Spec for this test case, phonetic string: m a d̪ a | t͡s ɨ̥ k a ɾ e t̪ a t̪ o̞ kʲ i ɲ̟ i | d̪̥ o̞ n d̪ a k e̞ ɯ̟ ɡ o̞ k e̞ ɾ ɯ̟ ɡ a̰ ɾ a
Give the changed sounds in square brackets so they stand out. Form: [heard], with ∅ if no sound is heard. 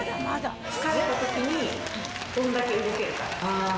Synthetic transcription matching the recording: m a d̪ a | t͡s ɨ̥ k a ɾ e t̪ a t̪ o̞ kʲ i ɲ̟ i | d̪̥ [õ̞] n d̪ a k e̞ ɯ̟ ɡ o̞ k e̞ ɾ ɯ̟ [k] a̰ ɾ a